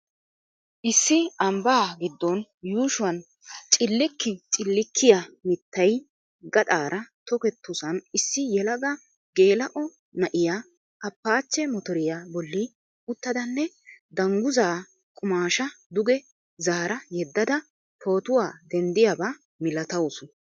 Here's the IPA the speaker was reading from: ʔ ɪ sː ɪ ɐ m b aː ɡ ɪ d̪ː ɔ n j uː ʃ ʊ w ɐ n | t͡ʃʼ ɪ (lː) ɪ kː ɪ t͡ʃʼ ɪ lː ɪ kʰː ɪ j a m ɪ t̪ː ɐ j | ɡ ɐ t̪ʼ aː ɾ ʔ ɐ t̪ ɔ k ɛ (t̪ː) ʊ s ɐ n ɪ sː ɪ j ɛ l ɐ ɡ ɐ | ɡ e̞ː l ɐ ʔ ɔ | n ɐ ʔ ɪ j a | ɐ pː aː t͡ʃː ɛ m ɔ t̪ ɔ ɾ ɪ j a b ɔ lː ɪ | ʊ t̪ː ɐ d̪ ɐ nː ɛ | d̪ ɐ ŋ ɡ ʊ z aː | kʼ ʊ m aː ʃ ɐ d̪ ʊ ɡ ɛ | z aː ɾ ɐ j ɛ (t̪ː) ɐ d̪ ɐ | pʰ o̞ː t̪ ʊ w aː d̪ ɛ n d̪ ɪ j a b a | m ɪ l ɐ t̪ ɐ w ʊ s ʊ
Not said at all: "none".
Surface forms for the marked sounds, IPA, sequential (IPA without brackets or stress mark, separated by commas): lː, t̪ː, d̪ː